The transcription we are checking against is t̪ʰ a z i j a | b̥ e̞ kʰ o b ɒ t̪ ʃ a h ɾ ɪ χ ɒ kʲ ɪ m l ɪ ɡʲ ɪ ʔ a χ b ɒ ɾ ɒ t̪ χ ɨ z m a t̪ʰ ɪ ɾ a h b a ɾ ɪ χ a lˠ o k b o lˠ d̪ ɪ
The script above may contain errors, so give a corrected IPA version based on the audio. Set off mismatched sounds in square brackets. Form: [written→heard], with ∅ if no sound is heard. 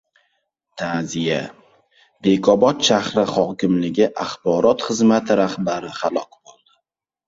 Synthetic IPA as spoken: t̪ʰ a z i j a | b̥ e̞ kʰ [o→ɒ] b ɒ t̪ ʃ a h ɾ ɪ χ ɒ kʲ ɪ m l ɪ ɡʲ ɪ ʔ a χ b ɒ ɾ ɒ t̪ χ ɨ z m a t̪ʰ ɪ ɾ a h b a ɾ ɪ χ a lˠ [o→ɒ] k b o lˠ d̪ ɪ